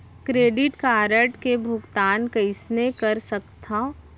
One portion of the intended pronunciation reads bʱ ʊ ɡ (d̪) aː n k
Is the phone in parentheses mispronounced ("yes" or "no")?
yes